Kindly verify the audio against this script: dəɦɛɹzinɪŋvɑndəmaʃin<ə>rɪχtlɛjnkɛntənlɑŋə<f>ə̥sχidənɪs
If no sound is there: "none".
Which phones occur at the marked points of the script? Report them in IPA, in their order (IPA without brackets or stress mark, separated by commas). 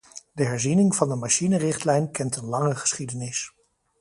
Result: ə, χ